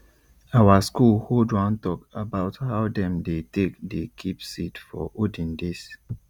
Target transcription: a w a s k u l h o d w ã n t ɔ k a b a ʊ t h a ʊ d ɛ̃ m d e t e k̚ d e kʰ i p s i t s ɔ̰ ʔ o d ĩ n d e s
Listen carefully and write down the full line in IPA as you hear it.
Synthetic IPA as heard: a w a s k u l h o d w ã n t ɔ k a b a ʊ t h a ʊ d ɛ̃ m d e t e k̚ d e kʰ i p s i t f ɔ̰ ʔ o d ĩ n d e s